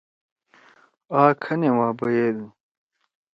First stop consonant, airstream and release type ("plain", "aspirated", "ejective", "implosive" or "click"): aspirated